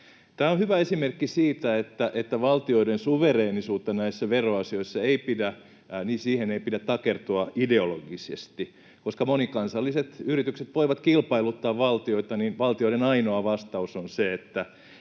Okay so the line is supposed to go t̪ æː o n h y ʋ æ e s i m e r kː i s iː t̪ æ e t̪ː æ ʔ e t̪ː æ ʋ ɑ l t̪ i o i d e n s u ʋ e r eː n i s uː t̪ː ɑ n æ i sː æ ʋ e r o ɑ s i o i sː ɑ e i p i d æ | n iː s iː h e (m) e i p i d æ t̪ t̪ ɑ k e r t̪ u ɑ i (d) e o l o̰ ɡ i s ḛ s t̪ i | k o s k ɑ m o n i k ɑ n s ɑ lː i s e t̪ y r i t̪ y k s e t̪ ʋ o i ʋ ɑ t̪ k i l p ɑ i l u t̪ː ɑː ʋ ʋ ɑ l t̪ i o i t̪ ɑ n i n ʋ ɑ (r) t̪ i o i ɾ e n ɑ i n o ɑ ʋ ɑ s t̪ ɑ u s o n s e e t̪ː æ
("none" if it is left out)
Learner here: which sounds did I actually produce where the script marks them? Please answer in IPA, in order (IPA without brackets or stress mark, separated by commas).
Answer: n, d, l